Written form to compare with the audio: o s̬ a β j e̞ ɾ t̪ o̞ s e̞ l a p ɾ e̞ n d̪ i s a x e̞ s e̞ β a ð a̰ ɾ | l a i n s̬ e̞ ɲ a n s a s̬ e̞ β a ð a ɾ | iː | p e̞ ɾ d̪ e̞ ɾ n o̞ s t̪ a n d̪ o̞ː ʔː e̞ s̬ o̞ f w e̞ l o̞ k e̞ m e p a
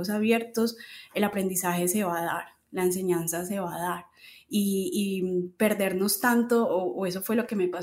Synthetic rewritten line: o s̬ a β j e̞ ɾ t̪ o̞ s e̞ l a p ɾ e̞ n d̪ i s a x e̞ s e̞ β a ð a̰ ɾ | l a e n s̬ e̞ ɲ a n s a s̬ e̞ β a ð a ɾ | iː | p e̞ ɾ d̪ e̞ ɾ n o̞ s t̪ a n t̪ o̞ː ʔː e̞ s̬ o̞ f w e̞ l o̞ k e̞ m e p a